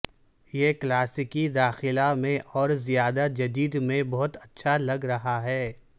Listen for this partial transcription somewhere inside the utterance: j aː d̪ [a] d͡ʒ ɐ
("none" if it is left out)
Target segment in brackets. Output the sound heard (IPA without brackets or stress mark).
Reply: a